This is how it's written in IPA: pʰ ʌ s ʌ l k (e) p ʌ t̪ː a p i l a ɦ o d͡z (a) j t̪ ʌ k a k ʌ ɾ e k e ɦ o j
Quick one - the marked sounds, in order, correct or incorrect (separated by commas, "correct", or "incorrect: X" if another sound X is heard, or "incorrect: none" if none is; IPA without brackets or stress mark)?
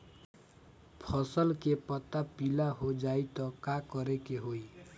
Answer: correct, correct